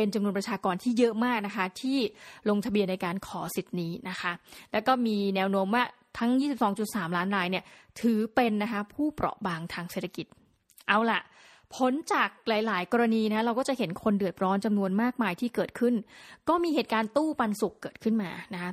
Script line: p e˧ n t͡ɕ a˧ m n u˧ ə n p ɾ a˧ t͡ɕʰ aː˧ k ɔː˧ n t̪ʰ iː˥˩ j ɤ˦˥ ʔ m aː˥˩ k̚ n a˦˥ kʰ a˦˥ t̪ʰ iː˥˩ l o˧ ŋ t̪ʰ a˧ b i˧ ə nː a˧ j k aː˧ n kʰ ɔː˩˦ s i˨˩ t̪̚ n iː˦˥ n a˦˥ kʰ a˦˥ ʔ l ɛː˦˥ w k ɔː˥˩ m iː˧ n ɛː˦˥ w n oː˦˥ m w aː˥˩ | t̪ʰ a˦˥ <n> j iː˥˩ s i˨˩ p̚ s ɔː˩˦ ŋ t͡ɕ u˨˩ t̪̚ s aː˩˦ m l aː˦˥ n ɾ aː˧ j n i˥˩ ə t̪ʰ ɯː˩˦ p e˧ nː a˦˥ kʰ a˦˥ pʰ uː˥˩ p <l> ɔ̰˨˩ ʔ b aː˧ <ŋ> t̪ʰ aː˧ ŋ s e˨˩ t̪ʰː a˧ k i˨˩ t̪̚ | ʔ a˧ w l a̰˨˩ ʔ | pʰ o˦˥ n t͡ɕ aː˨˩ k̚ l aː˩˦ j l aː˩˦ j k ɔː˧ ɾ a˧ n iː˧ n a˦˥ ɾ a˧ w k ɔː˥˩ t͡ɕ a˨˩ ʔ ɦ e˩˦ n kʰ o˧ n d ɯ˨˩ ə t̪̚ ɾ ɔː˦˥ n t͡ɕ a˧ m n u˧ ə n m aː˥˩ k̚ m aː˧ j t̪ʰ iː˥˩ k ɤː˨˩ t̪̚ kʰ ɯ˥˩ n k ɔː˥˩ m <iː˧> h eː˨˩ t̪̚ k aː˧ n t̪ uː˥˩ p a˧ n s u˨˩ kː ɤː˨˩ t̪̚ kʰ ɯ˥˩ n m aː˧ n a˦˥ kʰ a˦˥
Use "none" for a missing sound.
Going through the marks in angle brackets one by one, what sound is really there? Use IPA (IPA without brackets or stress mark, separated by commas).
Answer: ŋ, ɾ, ŋ, iː˧